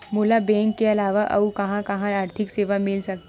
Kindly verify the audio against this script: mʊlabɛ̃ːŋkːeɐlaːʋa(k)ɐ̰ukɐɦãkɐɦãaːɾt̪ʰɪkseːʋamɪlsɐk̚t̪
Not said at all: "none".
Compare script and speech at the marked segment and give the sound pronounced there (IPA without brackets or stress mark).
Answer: ʔ